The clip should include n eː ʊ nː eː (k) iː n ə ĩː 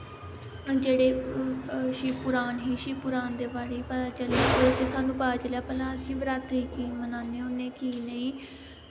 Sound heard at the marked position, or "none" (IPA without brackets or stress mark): k